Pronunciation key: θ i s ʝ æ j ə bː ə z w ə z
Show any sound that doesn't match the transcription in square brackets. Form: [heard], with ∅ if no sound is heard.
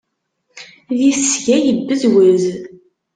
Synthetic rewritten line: [ð] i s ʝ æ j ə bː ə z w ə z

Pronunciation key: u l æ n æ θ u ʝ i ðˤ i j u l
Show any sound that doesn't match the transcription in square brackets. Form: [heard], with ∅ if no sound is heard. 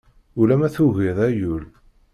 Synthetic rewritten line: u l æ [m] æ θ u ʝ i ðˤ [æ] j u l

